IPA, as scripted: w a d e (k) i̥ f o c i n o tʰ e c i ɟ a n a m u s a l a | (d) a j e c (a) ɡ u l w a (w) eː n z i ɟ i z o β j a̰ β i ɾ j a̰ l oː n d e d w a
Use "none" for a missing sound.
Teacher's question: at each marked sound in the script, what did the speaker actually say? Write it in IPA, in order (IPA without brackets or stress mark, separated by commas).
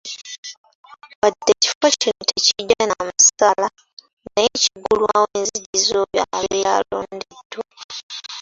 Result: c, n, i, w